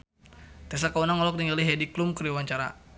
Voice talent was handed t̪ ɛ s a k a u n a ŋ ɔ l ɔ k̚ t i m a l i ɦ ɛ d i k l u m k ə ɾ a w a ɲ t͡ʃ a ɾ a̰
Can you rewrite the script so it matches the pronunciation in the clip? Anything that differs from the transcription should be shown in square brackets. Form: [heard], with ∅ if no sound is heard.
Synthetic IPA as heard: t̪ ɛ s a k a u n a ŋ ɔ l ɔ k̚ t i [ŋ] a l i ɦ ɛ d i k l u m k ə ɾ [i] w a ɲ t͡ʃ a ɾ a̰